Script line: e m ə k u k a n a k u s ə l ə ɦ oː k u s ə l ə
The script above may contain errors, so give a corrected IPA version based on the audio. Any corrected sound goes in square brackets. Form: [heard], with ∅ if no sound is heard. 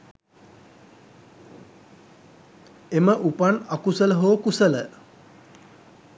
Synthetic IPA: e m ə [ʔ] u [p] a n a k u s ə l ə ɦ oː k u s ə l ə